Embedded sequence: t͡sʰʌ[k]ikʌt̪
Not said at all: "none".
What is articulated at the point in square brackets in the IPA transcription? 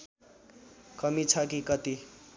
k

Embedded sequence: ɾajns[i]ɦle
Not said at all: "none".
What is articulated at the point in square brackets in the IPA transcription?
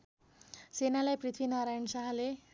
a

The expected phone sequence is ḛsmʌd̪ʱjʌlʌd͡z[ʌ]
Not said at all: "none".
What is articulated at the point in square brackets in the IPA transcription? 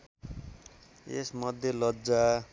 a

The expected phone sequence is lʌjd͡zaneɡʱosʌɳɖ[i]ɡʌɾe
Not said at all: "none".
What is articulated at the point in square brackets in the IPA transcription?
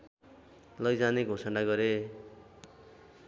a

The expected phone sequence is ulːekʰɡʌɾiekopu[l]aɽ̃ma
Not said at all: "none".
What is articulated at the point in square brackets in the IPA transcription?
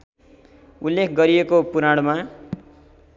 ɾ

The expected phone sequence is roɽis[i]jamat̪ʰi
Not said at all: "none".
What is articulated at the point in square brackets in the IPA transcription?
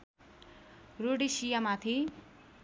i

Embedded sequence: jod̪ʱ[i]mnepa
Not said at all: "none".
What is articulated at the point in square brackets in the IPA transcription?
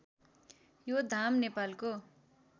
a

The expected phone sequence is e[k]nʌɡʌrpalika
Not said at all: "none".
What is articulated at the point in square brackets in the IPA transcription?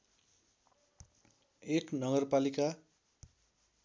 k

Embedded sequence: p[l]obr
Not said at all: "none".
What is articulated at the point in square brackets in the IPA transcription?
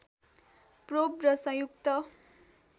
r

